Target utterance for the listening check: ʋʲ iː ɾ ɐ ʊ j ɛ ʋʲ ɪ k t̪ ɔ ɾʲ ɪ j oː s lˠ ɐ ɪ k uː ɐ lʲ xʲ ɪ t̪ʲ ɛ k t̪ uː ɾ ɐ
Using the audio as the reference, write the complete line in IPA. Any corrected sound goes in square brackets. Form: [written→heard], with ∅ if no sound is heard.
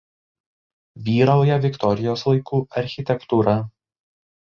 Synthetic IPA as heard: ʋʲ iː ɾ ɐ ʊ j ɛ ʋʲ ɪ k t̪ ɔ ɾʲ ɪ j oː s lˠ ɐ ɪ k uː ɐ [lʲ→ɾʲ] xʲ ɪ t̪ʲ ɛ k t̪ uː ɾ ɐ